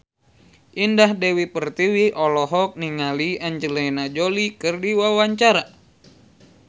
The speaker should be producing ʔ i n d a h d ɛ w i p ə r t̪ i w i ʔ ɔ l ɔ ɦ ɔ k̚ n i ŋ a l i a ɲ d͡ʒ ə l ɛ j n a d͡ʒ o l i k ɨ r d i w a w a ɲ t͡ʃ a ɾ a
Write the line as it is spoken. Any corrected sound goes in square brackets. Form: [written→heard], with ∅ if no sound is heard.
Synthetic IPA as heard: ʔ i n d a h d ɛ w i p ə r t̪ i w i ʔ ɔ l ɔ ɦ ɔ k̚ n i ŋ a l i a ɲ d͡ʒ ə l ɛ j n a d͡ʒ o l i k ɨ r d i w a w a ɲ t͡ʃ a ɾ a

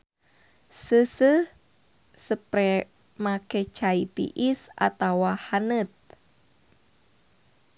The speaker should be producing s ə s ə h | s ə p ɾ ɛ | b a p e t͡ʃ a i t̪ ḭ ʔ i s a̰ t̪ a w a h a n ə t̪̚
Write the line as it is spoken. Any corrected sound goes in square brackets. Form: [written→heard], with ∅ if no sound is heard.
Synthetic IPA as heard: s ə s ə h | s ə p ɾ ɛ | [b→m] a [p→k] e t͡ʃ a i t̪ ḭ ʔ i s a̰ t̪ a w a h a n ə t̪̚

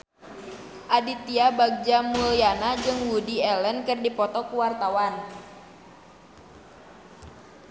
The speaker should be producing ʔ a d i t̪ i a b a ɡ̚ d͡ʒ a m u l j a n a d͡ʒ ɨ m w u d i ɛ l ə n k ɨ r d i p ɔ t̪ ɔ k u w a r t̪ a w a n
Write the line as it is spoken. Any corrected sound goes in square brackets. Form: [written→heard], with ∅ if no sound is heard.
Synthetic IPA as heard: ʔ a d i t̪ i a b a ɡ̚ d͡ʒ a m u l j a n a d͡ʒ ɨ [m→ŋ] w u d i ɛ l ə n k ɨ r d i p ɔ t̪ ɔ k u w a r t̪ a w a n

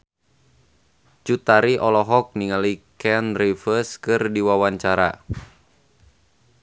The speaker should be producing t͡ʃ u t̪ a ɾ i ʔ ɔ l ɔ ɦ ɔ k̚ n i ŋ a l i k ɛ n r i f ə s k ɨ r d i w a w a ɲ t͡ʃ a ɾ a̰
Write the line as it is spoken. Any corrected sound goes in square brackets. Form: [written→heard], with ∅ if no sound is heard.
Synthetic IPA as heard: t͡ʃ u t̪ a ɾ i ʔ ɔ l ɔ ɦ ɔ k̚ n i ŋ a l i k ɛ n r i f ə s k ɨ r d i w a w a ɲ t͡ʃ a ɾ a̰

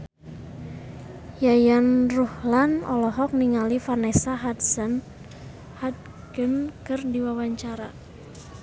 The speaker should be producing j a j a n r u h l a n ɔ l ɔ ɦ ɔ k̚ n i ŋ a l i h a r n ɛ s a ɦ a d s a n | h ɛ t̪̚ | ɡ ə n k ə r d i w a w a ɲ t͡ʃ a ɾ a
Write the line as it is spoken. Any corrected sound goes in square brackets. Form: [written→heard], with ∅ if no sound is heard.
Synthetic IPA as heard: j a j a n r u h l a n ɔ l ɔ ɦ ɔ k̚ n i ŋ a l i [h→f] a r n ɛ s a ɦ a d s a n | h [ɛ→a] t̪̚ | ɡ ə n k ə r d i w a w a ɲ t͡ʃ a ɾ a

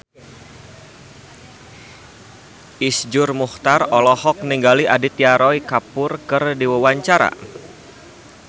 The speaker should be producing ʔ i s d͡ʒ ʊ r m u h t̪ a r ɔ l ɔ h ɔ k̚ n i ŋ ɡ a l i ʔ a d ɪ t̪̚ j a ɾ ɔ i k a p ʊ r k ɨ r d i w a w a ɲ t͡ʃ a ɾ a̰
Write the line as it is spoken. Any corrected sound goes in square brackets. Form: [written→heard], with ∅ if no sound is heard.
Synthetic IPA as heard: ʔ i s d͡ʒ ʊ r m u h t̪ a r ɔ l ɔ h ɔ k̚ n i ŋ ɡ a l i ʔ a d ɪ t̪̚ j a ɾ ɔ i k a p ʊ r k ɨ r d i w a w a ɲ t͡ʃ a ɾ a̰

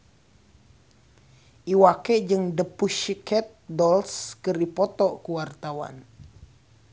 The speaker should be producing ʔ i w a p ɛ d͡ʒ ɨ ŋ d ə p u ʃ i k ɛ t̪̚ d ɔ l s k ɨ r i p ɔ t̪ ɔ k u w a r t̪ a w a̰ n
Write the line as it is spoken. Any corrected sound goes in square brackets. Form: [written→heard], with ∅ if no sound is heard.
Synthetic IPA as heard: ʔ i w a [p→k] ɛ d͡ʒ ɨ ŋ d ə p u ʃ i k ɛ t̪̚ d ɔ l s k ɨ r i p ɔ t̪ ɔ k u w a r t̪ a w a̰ n

